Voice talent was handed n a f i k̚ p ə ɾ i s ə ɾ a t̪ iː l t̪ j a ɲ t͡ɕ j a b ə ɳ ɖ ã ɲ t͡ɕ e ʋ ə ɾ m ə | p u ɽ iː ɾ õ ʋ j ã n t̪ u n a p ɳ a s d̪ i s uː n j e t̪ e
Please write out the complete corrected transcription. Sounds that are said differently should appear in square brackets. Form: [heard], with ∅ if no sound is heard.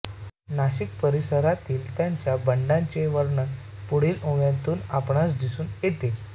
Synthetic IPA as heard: n a [ɕ] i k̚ p ə ɾ i s ə ɾ a t̪ iː l t̪ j a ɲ t͡ɕ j a b ə ɳ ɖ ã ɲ t͡ɕ e ʋ ə ɾ [ɳ] ə | p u ɽ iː [l] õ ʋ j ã n t̪ [uː] n a p ɳ a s d̪ i s uː n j e t̪ e